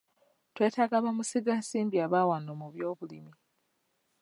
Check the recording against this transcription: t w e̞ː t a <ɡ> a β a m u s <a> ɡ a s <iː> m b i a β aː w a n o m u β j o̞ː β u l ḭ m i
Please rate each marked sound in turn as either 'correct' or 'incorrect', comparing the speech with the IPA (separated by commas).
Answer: correct, incorrect, correct